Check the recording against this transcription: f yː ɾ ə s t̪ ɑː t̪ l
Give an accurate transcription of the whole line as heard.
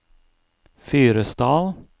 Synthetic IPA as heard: f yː ɾ ə s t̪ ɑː l